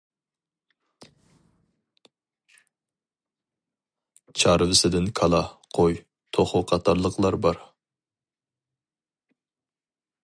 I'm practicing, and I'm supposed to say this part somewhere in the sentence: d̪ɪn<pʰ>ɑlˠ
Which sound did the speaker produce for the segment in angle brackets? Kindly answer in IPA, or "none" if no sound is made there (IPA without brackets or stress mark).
kʰ